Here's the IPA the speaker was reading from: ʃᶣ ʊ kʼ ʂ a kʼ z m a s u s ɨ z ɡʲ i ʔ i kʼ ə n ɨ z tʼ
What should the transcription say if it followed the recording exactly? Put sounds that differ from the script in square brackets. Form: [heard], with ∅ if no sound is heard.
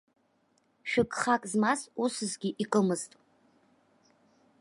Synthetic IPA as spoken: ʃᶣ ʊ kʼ [χ] a kʼ z m a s u s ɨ z ɡʲ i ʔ i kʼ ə [m] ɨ z tʼ